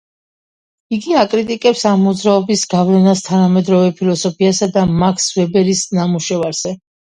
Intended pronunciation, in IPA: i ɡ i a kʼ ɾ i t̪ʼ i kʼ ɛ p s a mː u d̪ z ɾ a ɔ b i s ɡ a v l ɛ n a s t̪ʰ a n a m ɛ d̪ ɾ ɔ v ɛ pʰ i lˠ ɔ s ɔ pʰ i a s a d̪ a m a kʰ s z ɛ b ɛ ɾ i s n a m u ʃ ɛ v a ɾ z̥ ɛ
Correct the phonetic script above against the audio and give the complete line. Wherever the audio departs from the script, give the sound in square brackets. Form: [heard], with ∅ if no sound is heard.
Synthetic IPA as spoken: i ɡ i a kʼ ɾ i t̪ʼ i kʼ ɛ p s a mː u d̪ z ɾ a ɔ b i s ɡ a v l ɛ n a s t̪ʰ a n a m ɛ d̪ ɾ ɔ v ɛ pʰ i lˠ ɔ s ɔ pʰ i a s a d̪ a m a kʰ s [v] ɛ b ɛ ɾ i s n a m u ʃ ɛ v a ɾ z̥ ɛ